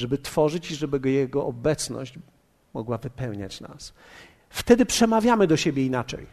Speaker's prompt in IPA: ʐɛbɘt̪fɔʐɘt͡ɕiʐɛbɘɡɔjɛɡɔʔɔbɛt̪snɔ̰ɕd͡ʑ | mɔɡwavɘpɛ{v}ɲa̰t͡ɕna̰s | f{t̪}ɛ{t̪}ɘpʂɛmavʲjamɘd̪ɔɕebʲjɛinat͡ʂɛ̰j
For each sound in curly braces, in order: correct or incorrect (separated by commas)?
incorrect, correct, incorrect